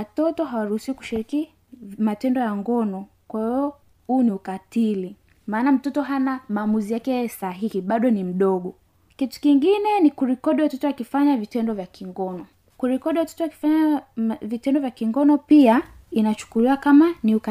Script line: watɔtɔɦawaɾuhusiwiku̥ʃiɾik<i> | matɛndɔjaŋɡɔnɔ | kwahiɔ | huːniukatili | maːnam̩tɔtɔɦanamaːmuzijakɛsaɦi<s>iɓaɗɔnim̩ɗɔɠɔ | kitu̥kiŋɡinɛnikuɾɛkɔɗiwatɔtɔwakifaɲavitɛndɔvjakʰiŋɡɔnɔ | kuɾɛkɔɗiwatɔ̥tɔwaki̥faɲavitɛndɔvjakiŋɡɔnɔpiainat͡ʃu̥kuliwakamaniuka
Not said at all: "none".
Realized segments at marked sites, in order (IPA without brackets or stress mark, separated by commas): i, h